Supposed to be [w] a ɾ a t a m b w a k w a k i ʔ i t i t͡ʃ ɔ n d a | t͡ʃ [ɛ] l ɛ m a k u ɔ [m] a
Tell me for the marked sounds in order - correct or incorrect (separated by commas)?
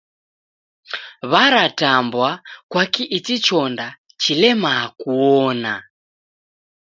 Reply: incorrect, incorrect, incorrect